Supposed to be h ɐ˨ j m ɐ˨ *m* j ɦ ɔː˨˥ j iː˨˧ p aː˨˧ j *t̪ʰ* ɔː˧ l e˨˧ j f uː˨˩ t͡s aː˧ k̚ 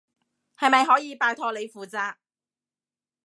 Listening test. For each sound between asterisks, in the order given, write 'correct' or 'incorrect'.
incorrect, correct

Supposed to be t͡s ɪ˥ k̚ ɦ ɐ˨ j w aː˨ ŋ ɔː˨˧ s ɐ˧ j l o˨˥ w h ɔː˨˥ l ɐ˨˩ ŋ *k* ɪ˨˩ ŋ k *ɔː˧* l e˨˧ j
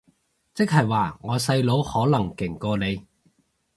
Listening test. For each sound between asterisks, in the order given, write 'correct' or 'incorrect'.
correct, correct

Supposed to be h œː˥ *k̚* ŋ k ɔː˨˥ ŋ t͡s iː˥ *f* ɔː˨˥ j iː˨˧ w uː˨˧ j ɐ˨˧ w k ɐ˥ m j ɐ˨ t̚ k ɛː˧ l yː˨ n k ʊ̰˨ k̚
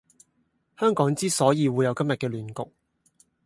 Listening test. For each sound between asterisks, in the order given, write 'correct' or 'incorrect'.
incorrect, incorrect

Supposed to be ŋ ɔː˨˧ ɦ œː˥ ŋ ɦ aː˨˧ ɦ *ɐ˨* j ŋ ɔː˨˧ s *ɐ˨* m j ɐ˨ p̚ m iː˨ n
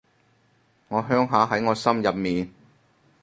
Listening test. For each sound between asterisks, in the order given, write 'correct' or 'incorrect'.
incorrect, incorrect

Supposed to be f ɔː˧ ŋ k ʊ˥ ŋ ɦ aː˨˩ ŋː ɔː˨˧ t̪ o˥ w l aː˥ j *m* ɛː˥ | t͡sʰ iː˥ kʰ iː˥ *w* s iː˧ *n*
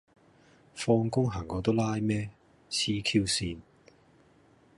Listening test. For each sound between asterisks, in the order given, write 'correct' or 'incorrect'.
correct, correct, correct

